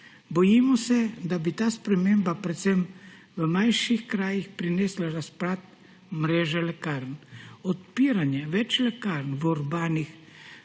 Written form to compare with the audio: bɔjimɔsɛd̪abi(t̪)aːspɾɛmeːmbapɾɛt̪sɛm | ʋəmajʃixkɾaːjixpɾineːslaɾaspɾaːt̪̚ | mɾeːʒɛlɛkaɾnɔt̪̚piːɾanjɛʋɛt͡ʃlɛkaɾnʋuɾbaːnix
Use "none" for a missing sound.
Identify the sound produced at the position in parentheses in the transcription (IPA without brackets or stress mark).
t̪